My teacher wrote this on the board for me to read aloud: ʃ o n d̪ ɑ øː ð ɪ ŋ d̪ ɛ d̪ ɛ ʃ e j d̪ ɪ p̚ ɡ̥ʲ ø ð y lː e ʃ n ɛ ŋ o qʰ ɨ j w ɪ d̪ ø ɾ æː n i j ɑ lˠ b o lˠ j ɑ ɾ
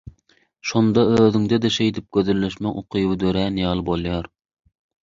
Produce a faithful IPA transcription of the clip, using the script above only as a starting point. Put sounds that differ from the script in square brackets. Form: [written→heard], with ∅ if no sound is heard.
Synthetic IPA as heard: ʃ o n d̪ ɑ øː ð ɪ ŋ d̪ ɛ d̪ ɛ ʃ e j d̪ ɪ p̚ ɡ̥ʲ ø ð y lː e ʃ [n→m] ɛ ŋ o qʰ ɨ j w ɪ d̪ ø ɾ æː n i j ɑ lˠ b o lˠ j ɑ ɾ